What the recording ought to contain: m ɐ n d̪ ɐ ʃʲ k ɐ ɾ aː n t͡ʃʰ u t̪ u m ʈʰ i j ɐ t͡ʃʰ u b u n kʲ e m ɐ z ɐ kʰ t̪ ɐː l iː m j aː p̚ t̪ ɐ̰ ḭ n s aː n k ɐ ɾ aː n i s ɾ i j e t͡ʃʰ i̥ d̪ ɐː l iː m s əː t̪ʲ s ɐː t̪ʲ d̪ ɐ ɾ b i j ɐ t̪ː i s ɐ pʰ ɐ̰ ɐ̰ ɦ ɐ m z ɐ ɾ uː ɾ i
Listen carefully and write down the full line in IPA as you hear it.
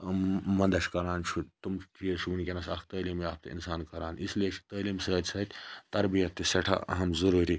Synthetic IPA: m ɐ n d̪ ɐ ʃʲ k ɐ ɾ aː n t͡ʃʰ u t̪ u m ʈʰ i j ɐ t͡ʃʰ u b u n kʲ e n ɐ s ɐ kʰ t̪ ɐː l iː m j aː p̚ t̪ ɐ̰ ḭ n s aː n k ɐ ɾ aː n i s l i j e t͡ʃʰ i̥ t̪ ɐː l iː m s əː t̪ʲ s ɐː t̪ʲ t̪ ɐ ɾ b i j ɐ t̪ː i s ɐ ʈʰ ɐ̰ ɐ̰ ɦ ɐ m z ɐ ɾ uː ɾ i

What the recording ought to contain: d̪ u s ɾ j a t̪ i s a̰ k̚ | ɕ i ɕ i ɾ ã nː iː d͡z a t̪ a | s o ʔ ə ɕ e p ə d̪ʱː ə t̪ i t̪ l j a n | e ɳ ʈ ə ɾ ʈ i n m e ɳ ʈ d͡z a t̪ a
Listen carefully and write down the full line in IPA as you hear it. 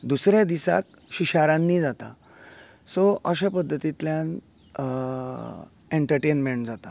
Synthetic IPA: d̪ u s ɾ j a d̪ i s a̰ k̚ | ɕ i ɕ a ɾ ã nː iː d͡z a t̪ a | s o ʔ ə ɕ a p ə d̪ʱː ə t̪ i t̪ l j a n | e ɳ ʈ ə ɾ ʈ e n m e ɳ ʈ d͡z a t̪ a

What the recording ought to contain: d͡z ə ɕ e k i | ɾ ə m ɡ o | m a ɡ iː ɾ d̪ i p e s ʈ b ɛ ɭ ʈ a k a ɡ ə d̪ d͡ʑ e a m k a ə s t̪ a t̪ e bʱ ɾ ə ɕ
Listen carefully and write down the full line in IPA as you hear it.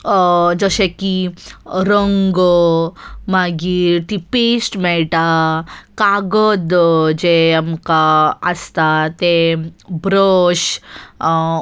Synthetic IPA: d͡z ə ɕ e k i | ɾ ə ŋ ɡ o | m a ɡ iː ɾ t̪ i p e s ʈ m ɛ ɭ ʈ a k a ɡ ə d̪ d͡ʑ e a m k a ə s t̪ a t̪ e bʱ ɾ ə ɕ

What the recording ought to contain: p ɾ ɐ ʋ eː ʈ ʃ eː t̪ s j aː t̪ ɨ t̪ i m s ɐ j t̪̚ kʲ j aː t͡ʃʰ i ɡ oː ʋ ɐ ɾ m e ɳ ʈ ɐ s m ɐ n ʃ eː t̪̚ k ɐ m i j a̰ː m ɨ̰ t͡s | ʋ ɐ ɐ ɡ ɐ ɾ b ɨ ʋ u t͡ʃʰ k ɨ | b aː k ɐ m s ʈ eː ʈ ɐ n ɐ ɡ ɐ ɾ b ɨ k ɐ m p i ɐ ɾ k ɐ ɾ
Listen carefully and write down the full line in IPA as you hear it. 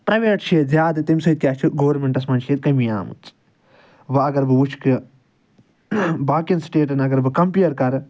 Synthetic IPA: p ɾ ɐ ʋ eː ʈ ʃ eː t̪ z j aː d̪ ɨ t̪ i m s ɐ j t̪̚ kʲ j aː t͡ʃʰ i ɡ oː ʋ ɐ ɾ m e ɳ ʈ ɐ s m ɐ n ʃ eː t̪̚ k ɐ m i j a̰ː m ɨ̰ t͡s | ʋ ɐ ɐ ɡ ɐ ɾ b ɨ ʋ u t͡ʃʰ k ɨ | b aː k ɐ n s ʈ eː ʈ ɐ n ɐ ɡ ɐ ɾ b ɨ k ɐ m p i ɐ ɾ k ɐ ɾ

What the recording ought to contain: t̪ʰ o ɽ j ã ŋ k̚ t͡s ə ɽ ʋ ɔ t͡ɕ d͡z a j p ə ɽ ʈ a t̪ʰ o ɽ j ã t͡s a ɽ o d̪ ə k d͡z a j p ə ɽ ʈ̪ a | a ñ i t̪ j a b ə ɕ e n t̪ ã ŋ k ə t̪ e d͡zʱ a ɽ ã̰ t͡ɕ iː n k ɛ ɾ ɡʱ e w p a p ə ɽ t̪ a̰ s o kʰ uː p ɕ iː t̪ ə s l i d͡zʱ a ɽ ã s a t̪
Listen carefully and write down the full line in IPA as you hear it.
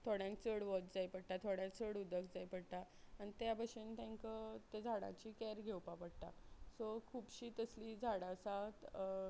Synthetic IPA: t̪ʰ o ɽ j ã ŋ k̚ t͡s ə ɽ ʋ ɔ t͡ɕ d͡z a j p ə ɽ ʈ a t̪ʰ o ɽ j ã t͡s ə ɽ u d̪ ə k d͡z a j p ə ɽ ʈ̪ a | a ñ i t̪ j a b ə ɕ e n t̪ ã ŋ k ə t̪ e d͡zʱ a ɽ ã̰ t͡ɕ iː k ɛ ɾ ɡʱ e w p a p ə ɽ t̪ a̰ s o kʰ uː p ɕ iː t̪ ə s l i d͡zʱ a ɽ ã s a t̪

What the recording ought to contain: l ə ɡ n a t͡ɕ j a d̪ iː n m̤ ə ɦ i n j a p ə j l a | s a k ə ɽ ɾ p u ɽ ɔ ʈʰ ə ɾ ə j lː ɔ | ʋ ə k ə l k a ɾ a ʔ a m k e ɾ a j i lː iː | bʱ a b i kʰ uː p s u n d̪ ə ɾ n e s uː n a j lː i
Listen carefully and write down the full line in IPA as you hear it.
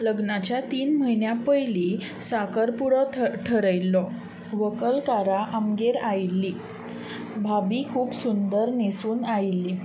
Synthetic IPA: l ə ɡ n a t͡ɕ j a t̪ iː n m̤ ə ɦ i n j a p ə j l i | s a k ə ɾ p u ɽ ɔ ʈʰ ə ɾ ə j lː ɔ | ʋ ə k ə l k a ɾ a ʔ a m ɡ e ɾ a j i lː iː | bʱ a b i kʰ uː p s u n d̪ ə ɾ n e s uː n a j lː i

